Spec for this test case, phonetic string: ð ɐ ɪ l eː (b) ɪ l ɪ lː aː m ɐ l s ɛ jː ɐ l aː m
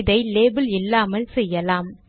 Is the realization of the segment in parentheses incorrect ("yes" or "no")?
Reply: no